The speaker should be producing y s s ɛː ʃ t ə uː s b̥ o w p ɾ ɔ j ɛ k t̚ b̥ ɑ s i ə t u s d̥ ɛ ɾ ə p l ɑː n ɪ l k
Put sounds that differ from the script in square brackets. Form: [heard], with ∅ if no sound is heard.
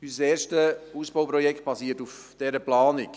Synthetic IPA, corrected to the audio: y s s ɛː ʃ t ə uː s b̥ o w p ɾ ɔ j ɛ k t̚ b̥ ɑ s i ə t u [f] d̥ ɛ ɾ ə p l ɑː n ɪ [∅] k